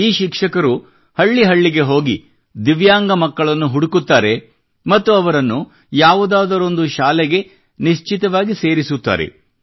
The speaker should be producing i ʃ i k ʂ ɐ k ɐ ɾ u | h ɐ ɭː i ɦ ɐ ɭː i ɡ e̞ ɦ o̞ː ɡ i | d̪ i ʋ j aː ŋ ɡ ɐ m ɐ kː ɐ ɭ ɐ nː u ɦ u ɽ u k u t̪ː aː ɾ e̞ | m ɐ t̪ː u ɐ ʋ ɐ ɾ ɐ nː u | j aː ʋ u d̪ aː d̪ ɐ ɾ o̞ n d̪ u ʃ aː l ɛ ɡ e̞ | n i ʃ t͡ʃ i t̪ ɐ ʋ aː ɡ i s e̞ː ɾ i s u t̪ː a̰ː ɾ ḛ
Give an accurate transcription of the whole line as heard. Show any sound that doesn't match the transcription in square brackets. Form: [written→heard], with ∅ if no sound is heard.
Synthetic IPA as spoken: [i→iː] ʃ i k ʂ ɐ k ɐ ɾ u | h ɐ ɭː i ɦ ɐ ɭː i ɡ e̞ ɦ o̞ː ɡ i | d̪ i ʋ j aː ŋ ɡ ɐ m ɐ kː ɐ ɭ ɐ nː u ɦ u ɽ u k u t̪ː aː ɾ e̞ | m ɐ t̪ː u ɐ ʋ ɐ ɾ ɐ nː u | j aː ʋ u d̪ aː d̪ ɐ ɾ o̞ n d̪ u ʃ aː l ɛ ɡ e̞ | n i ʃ t͡ʃ i t̪ ɐ ʋ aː ɡ i s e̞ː ɾ i s u t̪ː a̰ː ɾ ḛ